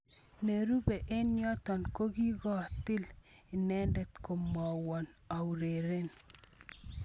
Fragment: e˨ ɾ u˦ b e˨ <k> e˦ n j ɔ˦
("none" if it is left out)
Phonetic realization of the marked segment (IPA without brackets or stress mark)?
ʔ